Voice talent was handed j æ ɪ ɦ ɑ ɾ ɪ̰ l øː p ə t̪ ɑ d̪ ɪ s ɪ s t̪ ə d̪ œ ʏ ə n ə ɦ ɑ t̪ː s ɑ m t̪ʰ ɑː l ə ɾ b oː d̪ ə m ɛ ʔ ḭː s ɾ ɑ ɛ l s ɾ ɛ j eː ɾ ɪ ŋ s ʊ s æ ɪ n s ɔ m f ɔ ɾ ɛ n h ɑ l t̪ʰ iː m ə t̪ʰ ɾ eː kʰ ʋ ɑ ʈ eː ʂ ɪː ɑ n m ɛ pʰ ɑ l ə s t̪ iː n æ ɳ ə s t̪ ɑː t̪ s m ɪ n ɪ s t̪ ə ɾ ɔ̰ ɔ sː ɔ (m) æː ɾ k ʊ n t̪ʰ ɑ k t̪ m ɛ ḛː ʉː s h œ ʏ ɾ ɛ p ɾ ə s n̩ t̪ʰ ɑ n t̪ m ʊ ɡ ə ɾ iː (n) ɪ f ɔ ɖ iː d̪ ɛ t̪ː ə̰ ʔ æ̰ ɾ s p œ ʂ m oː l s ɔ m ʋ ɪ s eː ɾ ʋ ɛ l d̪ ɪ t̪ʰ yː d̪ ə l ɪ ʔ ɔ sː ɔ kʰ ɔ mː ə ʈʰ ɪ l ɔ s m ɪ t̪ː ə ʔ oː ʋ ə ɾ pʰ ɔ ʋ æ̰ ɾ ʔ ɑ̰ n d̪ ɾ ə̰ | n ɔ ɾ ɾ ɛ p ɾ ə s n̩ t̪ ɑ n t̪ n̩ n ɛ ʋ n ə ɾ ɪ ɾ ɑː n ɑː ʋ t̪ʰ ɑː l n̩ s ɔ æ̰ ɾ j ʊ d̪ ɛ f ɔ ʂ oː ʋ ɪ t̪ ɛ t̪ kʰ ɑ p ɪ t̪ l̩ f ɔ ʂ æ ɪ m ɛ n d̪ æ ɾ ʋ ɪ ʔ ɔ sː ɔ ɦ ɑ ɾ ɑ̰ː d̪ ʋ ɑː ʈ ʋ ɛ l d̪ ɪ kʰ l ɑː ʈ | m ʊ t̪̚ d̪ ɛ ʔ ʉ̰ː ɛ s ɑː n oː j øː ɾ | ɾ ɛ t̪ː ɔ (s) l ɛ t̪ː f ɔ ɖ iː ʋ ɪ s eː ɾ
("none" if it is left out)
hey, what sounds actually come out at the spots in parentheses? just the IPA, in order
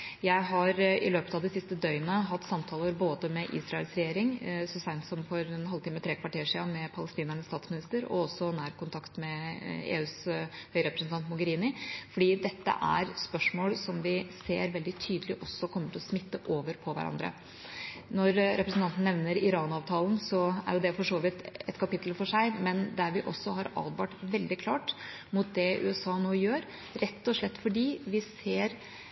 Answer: n, n, ʂ

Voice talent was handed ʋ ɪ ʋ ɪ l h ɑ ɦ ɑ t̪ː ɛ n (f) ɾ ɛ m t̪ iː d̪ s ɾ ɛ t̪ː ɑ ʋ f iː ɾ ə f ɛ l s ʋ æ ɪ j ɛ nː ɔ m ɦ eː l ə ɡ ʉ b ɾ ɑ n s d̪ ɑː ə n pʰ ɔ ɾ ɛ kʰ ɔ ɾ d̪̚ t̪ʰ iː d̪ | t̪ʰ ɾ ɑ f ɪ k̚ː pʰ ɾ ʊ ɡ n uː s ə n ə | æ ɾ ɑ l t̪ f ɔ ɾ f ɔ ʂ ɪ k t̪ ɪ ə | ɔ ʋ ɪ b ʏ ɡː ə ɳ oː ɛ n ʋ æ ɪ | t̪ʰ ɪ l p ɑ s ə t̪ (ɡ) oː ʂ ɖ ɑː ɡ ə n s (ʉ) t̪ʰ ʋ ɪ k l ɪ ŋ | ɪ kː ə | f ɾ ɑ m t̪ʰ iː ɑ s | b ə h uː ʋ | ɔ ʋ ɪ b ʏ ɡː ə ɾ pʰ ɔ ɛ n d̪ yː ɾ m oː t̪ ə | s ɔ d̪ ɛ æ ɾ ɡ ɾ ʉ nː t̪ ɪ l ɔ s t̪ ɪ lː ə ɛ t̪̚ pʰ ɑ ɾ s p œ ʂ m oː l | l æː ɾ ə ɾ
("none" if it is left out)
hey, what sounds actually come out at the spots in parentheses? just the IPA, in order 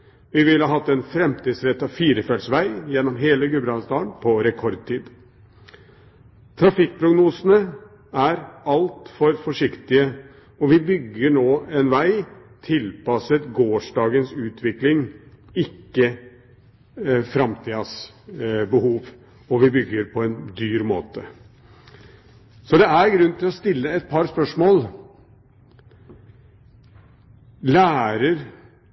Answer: f, ɡ, ʉː

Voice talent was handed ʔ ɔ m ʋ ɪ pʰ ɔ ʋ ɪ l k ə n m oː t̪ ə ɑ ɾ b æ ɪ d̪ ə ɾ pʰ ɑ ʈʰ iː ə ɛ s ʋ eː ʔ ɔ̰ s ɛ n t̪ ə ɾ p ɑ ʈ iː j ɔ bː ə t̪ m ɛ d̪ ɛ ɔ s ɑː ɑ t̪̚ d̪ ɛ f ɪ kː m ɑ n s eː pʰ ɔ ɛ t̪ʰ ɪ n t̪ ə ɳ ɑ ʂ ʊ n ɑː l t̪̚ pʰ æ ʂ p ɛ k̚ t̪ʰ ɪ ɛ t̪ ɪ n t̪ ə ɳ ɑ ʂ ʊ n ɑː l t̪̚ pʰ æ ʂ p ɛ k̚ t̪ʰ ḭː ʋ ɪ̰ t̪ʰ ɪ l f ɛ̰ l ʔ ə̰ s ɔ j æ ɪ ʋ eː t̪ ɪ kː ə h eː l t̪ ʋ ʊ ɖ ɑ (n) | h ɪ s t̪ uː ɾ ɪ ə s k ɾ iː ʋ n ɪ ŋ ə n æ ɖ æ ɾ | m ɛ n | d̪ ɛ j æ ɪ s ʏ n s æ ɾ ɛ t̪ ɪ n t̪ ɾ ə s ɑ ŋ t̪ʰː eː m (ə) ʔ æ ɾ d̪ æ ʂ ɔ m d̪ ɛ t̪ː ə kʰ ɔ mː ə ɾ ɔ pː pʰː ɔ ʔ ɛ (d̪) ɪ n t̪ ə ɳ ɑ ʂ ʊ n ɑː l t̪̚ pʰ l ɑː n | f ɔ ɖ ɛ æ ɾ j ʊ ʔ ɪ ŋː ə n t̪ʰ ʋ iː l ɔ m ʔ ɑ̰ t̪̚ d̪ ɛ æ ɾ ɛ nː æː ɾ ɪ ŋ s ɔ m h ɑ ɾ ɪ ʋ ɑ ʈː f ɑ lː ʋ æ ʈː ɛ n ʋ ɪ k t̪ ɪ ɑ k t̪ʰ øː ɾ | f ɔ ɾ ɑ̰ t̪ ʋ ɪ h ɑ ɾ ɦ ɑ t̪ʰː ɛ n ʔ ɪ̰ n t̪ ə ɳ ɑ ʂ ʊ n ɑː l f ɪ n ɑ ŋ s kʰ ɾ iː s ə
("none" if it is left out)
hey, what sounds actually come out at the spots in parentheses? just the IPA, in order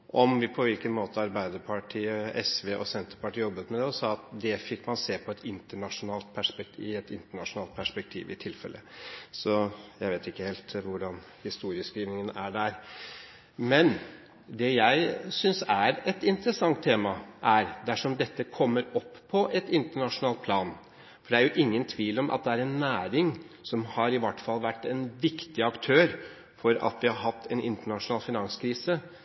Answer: n, ɑ, t̪

